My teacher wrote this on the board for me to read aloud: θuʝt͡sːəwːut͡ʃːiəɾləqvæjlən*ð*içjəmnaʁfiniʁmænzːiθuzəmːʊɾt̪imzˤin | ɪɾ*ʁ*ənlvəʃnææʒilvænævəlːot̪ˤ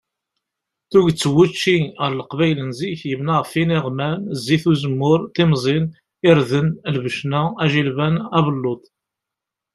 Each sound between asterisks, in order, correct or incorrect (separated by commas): incorrect, incorrect